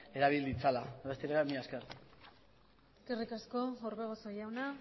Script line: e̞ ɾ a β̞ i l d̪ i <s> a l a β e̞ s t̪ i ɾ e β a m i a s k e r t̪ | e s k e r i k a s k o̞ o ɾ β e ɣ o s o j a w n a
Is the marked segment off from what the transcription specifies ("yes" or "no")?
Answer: yes